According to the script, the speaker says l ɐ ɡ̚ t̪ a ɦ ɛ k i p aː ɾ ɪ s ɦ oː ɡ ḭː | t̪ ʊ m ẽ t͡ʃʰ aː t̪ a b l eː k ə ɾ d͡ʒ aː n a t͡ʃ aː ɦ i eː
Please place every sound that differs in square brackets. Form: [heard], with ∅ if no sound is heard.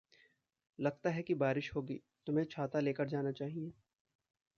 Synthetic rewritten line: l ɐ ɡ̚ t̪ a ɦ ɛ k i [b] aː ɾ ɪ [ʃ] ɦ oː ɡ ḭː | t̪ ʊ m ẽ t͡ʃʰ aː t̪ a [∅] l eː k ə ɾ d͡ʒ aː n a t͡ʃ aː ɦ i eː